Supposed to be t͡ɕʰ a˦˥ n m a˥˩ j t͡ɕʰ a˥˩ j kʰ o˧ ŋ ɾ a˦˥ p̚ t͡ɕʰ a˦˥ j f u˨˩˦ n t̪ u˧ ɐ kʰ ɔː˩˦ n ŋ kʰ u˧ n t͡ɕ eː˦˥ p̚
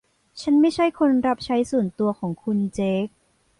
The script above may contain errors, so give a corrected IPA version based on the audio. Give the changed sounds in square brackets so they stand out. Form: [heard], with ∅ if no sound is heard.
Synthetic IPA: t͡ɕʰ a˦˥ n m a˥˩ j t͡ɕʰ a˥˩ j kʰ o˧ [n] ɾ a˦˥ p̚ t͡ɕʰ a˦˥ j [s] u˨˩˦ n t̪ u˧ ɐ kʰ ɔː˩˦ [∅] ŋ kʰ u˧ n t͡ɕ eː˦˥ [k̚]